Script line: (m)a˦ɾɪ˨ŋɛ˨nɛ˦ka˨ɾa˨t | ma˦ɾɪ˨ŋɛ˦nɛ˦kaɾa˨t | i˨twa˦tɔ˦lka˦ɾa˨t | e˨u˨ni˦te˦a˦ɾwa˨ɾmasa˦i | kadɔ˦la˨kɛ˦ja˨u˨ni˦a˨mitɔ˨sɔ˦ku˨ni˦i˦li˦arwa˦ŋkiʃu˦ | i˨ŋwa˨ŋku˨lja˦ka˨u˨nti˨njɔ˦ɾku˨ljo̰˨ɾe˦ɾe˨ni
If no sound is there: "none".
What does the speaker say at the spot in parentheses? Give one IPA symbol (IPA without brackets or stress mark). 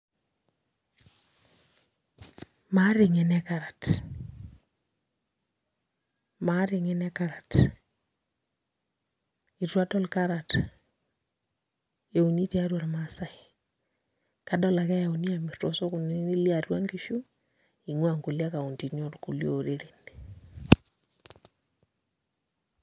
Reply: m